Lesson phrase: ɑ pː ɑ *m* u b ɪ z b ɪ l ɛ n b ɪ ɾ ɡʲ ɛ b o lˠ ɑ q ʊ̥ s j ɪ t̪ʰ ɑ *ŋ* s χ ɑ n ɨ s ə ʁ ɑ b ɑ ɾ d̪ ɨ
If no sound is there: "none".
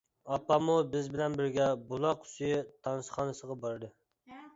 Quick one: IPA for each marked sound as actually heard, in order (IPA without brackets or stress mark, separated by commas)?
m, n